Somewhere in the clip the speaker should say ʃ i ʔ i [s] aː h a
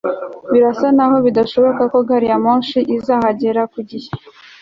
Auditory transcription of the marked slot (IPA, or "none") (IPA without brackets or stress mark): z